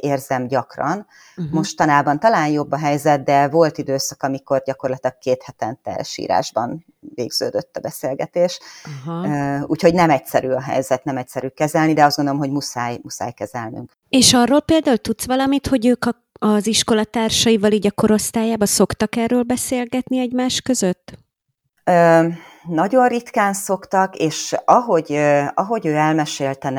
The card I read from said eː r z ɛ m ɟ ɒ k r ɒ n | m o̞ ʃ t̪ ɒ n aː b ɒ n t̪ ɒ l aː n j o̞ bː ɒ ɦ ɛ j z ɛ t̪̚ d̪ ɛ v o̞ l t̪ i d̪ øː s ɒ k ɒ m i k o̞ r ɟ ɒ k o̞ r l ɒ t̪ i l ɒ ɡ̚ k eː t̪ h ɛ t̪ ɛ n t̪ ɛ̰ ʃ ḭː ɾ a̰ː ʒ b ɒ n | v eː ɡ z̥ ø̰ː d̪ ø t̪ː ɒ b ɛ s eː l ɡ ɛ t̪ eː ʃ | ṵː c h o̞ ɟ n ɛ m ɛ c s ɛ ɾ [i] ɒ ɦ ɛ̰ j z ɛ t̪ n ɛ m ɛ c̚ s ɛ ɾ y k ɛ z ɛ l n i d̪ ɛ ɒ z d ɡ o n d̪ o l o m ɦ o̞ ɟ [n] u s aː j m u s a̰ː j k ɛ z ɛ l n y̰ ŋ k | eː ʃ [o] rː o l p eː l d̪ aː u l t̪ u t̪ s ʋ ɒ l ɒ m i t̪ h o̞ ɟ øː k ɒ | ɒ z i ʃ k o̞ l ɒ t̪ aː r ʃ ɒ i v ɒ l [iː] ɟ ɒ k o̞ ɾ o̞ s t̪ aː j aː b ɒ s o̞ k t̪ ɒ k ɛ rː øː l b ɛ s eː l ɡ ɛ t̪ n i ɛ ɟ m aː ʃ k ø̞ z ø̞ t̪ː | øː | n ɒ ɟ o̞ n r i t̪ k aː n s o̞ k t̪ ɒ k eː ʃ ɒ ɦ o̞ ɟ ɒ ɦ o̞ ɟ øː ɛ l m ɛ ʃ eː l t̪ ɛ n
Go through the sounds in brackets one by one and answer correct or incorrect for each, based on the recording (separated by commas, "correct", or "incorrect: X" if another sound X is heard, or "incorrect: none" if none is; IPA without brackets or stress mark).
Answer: incorrect: y, incorrect: m, incorrect: ɒ, correct